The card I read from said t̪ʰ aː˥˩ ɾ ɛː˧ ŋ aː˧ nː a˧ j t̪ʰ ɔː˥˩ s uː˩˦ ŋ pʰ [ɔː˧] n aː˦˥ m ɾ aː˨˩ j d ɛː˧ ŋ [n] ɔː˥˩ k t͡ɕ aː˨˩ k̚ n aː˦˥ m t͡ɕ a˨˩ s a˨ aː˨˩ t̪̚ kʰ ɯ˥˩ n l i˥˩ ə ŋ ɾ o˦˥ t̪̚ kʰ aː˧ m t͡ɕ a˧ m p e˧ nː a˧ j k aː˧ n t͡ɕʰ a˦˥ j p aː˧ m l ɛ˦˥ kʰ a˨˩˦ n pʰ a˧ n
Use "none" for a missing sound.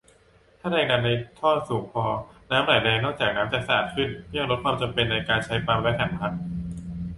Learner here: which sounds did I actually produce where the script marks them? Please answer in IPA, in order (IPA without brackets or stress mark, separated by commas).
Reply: ɔː˧, n